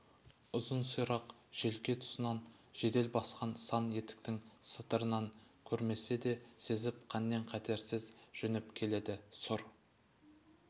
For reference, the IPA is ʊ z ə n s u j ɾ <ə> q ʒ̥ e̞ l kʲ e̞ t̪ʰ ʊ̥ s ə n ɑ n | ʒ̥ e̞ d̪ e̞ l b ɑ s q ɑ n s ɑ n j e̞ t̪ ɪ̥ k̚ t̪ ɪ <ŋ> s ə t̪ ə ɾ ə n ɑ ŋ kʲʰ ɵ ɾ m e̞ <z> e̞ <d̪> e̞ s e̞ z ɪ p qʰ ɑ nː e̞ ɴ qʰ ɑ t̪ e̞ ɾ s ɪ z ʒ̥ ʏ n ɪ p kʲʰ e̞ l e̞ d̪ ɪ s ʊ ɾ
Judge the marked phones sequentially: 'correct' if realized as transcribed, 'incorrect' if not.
incorrect, correct, incorrect, correct

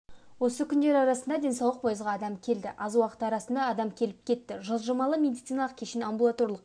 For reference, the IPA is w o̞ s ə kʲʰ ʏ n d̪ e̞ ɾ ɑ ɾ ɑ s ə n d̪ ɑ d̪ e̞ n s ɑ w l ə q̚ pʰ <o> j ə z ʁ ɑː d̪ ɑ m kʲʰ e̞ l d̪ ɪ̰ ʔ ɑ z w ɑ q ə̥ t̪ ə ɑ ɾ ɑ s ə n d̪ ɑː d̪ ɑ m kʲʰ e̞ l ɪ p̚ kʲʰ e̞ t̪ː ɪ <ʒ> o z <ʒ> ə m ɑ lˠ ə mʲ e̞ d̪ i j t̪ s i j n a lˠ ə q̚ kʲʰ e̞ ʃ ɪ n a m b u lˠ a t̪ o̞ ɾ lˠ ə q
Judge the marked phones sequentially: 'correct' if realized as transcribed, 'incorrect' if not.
correct, correct, correct

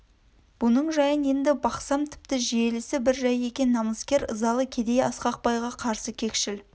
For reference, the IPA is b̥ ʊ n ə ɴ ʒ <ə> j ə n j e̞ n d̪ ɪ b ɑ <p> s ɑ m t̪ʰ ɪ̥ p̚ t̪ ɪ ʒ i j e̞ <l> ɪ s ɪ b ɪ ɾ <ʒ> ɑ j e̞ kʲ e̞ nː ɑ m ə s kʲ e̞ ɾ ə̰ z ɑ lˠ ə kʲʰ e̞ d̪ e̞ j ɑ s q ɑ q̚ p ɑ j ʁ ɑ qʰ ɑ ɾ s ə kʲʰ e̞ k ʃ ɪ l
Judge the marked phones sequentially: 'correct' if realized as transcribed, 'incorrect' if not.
incorrect, incorrect, correct, correct

